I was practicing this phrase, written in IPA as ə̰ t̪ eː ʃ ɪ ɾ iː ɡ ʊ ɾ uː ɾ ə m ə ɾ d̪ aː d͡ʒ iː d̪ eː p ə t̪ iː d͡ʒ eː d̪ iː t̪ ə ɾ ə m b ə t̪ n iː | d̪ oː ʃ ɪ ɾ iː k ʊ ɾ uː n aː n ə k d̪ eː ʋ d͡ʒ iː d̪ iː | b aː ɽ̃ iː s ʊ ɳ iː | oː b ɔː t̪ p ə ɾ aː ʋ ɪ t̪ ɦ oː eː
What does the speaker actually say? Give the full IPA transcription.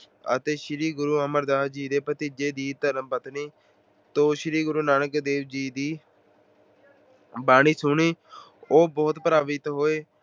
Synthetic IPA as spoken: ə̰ t̪ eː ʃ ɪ ɾ iː ɡ ʊ ɾ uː ə m ə ɾ d̪ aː d͡ʒ iː d̪ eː p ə t̪ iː d͡ʒ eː d̪ iː t̪ ə ɾ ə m b ə t̪ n iː | t̪ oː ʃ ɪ ɾ iː ɡ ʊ ɾ uː n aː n ə k d̪ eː ʋ d͡ʒ iː d̪ iː | b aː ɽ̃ iː s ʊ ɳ iː | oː b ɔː t̪ p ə ɾ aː ʋ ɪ t̪ ɦ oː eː